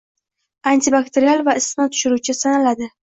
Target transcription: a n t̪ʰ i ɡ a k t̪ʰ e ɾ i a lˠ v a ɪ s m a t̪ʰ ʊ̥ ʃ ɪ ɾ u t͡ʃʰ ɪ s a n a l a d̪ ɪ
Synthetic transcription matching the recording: a n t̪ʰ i b a k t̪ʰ e ɾ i a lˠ v a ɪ s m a t̪ʰ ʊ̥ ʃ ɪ ɾ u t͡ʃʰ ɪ s a n a l a d̪ ɪ

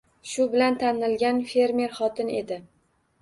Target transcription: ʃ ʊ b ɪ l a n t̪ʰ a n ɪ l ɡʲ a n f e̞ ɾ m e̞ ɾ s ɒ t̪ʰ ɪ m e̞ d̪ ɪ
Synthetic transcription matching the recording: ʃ ʊ b ɪ l a n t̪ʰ a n ɪ l ɡʲ a n f e̞ ɾ m e̞ ɾ χ ɒ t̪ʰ ɪ n e̞ d̪ ɪ

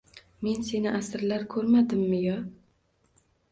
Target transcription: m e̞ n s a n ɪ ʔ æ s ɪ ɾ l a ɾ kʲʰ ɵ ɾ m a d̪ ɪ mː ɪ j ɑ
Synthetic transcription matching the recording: m e̞ n s e n ɪ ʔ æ s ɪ ɾ l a ɾ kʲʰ ɵ ɾ m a d̪ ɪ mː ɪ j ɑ

